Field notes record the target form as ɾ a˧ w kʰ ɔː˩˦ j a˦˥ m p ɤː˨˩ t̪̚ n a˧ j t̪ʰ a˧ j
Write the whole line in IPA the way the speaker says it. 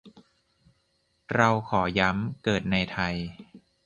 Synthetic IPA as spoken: ɾ a˧ w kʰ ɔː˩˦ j a˦˥ m k ɤː˨˩ t̪̚ n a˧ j t̪ʰ a˧ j